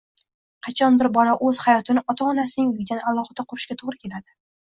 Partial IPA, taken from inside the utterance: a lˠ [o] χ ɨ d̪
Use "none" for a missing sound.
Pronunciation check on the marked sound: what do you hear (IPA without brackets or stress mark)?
ɒ